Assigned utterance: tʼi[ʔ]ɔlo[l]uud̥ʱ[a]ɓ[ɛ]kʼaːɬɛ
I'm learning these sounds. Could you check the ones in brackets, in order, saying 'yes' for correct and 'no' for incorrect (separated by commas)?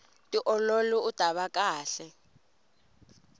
yes, yes, yes, no